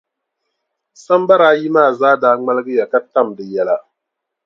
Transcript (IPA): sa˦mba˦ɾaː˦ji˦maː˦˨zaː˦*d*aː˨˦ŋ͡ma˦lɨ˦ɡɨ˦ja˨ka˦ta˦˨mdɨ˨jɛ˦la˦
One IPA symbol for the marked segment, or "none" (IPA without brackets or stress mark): d